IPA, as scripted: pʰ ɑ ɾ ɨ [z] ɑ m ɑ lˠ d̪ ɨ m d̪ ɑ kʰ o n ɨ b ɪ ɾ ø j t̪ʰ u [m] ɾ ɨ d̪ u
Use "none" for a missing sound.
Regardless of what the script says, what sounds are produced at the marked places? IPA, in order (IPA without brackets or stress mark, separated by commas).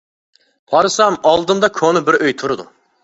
s, none